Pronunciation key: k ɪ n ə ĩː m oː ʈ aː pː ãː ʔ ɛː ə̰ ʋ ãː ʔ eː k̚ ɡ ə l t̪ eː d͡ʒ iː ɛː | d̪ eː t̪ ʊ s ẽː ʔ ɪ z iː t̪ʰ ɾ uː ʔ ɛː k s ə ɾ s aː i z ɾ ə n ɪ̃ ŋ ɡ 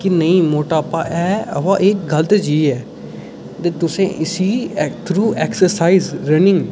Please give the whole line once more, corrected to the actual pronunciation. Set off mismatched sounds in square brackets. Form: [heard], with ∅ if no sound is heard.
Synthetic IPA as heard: k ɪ n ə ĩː m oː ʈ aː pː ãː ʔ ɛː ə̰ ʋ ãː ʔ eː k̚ ɡ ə l t̪ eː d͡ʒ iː ɛː | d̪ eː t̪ ʊ s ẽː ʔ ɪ [s] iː t̪ʰ ɾ uː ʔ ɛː k s ə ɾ s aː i z ɾ ə n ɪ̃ ŋ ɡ